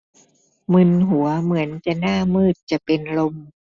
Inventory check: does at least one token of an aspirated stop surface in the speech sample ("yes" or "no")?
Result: no